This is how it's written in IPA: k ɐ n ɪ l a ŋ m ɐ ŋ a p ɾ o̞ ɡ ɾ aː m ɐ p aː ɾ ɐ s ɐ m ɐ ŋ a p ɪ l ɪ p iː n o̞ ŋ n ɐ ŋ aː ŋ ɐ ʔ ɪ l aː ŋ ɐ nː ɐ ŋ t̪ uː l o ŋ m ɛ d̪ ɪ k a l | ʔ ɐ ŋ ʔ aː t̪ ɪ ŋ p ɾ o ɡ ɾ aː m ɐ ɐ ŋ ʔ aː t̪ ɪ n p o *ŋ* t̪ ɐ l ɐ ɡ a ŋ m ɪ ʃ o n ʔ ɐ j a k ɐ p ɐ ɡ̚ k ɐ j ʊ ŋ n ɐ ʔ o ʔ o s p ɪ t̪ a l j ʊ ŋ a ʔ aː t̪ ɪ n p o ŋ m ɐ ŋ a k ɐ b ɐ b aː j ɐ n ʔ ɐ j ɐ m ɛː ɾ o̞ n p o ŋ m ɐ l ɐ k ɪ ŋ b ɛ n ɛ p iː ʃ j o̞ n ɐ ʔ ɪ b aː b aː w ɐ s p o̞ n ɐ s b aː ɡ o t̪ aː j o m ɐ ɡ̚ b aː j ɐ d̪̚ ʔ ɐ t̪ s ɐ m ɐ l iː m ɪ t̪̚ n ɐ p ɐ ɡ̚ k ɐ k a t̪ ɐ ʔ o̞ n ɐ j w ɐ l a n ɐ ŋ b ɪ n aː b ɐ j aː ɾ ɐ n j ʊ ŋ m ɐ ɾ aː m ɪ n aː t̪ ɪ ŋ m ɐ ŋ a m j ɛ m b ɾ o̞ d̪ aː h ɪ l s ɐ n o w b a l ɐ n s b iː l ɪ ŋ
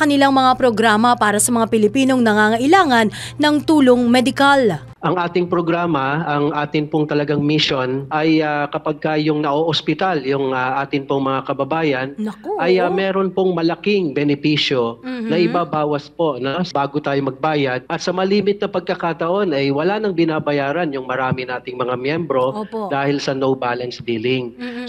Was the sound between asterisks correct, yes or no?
yes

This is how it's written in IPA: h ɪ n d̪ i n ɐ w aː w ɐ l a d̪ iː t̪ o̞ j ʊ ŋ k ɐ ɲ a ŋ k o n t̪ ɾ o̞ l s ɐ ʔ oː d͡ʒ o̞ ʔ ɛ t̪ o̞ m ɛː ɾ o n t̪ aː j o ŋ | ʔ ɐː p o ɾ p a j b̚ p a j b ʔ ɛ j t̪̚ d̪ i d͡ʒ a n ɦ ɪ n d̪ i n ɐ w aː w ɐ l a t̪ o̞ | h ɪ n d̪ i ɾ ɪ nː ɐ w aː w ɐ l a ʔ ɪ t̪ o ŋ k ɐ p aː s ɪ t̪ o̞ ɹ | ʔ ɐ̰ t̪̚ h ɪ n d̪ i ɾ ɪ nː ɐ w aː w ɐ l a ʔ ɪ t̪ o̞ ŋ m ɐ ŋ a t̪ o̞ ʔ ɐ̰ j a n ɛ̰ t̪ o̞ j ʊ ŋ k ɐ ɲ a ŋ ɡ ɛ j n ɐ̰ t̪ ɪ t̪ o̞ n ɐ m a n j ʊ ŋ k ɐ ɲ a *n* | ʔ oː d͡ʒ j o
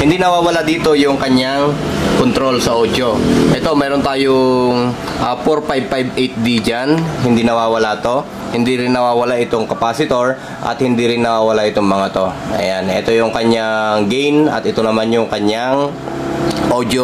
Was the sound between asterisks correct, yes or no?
no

